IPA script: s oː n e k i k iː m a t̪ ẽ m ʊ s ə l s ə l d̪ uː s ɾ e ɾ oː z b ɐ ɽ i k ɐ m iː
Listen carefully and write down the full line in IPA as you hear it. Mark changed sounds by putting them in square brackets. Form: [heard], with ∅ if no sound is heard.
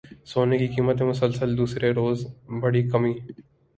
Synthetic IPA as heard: s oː n e k i k iː m [ə] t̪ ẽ m ʊ s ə l s ə l d̪ uː s ɾ e ɾ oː z b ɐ ɽ i k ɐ m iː